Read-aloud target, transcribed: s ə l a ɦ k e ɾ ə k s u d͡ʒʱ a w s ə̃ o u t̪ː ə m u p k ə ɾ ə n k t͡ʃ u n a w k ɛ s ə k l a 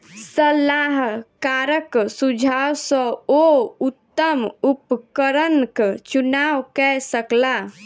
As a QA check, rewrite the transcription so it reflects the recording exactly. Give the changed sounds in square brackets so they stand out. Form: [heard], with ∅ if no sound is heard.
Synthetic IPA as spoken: s ə l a ɦ k [a] ɾ ə k s u d͡ʒʱ a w s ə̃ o u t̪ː ə m u p k ə ɾ ə n k t͡ʃ u n a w k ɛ s ə k l a